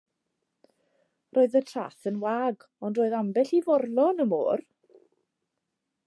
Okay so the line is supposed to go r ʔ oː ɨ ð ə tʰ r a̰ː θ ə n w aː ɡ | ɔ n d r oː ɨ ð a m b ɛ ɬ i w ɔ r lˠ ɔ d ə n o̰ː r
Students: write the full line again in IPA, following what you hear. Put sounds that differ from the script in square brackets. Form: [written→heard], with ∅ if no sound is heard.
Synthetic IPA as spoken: r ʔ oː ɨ ð ə tʰ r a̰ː θ ə n w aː ɡ | ɔ n d r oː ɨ ð a m b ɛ ɬ i [w→v] ɔ r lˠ ɔ [d→n] ə [n→m] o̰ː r

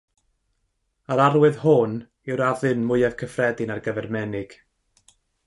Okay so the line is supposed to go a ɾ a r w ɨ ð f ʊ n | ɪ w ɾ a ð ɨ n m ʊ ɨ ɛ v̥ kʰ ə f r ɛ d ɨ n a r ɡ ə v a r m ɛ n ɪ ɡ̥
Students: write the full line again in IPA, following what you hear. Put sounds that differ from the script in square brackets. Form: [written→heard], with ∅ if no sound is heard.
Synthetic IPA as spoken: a ɾ a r w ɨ ð [f→h] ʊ n | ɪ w ɾ a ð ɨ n m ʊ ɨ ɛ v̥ kʰ ə f r ɛ d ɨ n a r ɡ ə v [a→ɛ] r m ɛ n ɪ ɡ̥

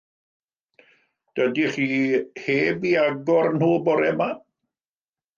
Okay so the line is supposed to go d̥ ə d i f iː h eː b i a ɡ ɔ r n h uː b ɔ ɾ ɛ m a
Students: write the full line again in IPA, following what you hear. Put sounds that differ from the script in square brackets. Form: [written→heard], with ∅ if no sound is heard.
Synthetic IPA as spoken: d̥ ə d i [f→χ] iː h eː b i a ɡ ɔ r n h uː b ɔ ɾ ɛ m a

